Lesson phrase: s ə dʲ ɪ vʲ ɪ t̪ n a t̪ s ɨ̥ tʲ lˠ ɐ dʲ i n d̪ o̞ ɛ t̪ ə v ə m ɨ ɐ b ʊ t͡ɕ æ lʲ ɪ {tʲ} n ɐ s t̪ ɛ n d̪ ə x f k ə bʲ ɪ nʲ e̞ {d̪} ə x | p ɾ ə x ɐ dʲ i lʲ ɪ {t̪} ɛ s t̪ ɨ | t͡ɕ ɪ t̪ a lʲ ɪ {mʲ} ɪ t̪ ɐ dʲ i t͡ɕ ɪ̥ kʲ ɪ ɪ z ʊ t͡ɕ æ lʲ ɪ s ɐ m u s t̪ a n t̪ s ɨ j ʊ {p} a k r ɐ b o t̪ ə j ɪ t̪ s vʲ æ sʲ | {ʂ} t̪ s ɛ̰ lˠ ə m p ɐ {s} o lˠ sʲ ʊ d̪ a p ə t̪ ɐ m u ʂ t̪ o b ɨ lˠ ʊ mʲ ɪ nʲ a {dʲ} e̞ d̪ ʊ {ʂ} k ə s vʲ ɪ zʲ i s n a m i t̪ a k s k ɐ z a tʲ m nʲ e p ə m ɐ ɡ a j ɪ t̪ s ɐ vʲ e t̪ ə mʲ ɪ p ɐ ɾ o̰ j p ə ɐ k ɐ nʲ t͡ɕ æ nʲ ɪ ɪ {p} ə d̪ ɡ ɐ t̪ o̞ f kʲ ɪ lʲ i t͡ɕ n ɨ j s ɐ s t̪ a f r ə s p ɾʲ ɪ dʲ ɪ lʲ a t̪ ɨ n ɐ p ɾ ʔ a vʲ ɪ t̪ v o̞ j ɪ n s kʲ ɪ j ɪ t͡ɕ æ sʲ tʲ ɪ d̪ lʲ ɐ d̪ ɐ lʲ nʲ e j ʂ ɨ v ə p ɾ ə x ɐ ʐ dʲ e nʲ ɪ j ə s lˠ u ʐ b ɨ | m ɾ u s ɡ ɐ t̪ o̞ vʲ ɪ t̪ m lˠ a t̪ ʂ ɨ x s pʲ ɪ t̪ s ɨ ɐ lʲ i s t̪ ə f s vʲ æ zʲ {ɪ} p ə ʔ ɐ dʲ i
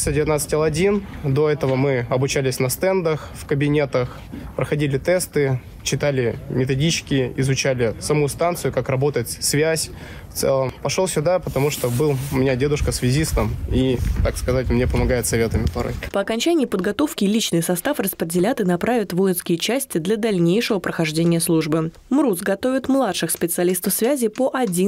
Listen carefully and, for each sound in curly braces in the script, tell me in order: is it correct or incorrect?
incorrect: sʲ, incorrect: t̪, correct, correct, incorrect: k, incorrect: f, incorrect: ʂ, correct, correct, correct, correct

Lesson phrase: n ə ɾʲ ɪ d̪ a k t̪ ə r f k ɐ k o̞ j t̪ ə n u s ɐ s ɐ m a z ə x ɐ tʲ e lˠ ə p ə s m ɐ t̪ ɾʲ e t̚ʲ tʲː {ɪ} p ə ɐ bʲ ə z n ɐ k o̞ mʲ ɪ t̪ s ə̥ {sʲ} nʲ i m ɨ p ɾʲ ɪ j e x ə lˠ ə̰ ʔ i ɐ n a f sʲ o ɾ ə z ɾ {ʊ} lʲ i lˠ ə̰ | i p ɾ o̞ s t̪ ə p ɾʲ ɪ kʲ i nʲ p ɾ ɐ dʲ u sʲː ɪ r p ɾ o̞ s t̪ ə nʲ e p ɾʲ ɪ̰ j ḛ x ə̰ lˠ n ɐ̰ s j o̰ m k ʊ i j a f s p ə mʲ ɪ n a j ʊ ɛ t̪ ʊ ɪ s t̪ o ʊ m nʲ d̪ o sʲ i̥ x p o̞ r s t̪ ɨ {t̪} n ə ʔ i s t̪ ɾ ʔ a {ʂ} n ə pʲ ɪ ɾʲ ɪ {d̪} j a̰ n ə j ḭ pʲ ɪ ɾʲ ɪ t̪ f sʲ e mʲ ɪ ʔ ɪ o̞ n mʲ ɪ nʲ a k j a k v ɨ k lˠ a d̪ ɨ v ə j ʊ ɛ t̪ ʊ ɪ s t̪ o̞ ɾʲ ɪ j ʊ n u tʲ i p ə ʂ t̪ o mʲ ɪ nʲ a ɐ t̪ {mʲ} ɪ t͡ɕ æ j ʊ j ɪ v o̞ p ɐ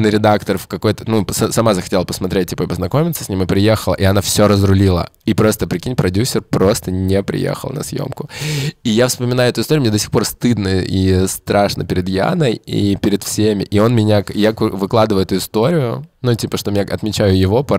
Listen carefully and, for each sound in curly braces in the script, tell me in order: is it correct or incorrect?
incorrect: i, correct, correct, incorrect: d̪, correct, correct, correct

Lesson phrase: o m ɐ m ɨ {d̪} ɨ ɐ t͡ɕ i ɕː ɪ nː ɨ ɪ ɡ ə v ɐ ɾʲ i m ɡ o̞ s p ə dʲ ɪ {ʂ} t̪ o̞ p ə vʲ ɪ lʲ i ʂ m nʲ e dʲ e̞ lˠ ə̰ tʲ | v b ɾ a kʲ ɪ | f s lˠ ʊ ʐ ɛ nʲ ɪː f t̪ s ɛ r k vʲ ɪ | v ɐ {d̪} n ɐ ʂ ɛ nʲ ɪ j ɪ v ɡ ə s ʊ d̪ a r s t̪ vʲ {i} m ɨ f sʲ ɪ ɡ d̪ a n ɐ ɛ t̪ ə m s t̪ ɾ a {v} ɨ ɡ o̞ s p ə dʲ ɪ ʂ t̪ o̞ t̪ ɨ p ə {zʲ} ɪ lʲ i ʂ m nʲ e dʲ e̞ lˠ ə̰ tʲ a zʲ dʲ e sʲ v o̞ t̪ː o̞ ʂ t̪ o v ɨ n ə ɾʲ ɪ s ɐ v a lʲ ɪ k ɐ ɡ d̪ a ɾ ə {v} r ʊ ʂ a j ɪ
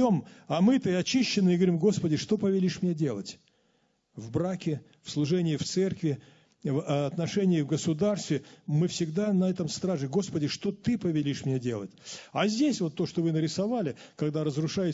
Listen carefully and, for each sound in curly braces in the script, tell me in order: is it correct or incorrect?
incorrect: t̪, correct, incorrect: t̪, incorrect: ɪ, incorrect: ʐ, incorrect: vʲ, incorrect: z

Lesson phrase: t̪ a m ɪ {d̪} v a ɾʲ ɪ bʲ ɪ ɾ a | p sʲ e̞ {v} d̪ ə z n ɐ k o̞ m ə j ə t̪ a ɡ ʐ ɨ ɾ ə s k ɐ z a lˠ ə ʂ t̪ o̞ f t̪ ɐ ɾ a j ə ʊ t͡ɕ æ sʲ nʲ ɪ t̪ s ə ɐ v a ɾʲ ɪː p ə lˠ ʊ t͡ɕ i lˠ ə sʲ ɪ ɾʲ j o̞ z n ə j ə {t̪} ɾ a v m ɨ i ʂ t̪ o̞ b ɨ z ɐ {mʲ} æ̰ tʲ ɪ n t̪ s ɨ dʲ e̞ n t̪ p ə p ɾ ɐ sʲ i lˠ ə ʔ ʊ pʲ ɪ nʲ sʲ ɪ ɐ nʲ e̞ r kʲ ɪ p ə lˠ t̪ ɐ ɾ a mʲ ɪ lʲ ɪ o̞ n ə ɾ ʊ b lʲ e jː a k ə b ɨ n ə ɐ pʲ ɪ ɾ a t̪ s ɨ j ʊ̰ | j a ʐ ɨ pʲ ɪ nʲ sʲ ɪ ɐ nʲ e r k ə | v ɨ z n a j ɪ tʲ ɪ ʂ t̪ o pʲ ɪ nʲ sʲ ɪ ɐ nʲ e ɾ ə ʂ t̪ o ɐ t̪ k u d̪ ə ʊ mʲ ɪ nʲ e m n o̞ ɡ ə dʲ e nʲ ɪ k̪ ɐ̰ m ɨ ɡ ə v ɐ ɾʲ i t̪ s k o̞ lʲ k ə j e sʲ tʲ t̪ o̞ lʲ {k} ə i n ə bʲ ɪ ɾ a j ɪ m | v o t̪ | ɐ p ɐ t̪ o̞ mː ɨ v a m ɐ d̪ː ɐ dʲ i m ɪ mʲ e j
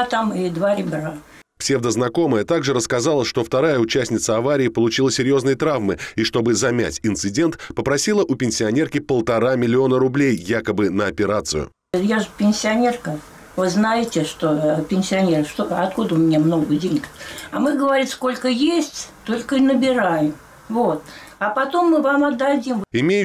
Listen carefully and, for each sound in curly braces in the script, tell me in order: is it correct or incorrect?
correct, correct, correct, correct, correct

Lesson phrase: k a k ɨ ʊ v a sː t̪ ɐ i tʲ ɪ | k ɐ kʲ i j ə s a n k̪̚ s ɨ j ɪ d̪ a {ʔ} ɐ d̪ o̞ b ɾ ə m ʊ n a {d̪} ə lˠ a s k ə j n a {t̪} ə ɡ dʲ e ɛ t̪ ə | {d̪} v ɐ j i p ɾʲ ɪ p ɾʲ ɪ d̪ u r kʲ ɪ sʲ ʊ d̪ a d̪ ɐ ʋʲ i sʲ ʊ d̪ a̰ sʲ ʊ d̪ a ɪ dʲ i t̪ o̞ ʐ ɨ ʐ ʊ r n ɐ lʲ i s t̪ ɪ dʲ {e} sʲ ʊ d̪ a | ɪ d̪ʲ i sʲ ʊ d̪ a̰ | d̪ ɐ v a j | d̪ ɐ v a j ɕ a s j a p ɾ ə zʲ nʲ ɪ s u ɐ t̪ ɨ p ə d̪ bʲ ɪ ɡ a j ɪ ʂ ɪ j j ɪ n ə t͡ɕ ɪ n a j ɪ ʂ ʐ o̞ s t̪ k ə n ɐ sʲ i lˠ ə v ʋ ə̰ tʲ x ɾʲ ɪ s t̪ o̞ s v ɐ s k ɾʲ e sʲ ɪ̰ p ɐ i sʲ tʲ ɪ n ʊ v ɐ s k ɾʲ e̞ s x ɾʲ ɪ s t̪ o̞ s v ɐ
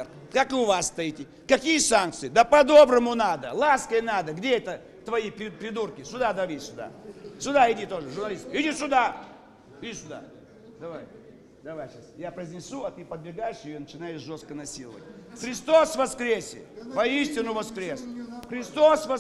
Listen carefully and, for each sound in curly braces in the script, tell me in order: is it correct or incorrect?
incorrect: p, correct, incorrect: d̪, incorrect: t̪, incorrect: i

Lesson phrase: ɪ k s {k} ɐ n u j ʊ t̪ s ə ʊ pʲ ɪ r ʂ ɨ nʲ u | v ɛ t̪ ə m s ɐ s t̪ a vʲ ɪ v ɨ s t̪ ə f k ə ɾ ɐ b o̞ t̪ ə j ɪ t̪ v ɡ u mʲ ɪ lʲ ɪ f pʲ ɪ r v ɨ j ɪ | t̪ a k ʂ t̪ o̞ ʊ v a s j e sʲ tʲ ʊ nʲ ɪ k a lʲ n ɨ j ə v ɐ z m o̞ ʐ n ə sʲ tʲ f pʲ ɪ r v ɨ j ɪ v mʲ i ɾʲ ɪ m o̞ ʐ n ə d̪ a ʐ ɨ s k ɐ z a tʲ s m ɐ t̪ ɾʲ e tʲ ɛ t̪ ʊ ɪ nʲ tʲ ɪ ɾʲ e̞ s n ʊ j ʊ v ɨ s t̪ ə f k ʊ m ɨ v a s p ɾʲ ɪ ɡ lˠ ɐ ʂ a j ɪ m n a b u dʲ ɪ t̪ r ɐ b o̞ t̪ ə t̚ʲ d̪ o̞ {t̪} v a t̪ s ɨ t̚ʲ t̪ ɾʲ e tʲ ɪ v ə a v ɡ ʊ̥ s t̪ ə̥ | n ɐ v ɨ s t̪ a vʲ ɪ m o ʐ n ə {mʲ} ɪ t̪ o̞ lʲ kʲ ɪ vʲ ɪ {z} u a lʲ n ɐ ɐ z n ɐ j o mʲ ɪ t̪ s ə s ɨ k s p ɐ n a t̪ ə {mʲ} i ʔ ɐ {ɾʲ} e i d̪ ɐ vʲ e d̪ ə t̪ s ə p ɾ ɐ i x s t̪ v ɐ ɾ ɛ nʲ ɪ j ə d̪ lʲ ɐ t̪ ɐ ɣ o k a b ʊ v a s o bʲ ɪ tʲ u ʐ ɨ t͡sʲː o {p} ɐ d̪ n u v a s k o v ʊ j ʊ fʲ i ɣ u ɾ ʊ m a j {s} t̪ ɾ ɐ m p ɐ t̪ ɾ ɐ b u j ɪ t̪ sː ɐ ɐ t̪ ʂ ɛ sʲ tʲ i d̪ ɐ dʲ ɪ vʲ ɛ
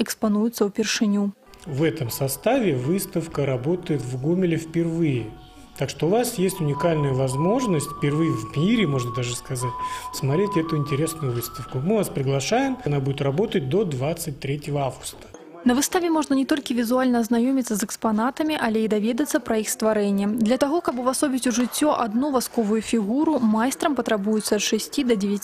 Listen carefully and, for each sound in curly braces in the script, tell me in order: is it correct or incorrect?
incorrect: p, incorrect: d̪, incorrect: nʲ, correct, correct, incorrect: lʲ, incorrect: ʔ, correct

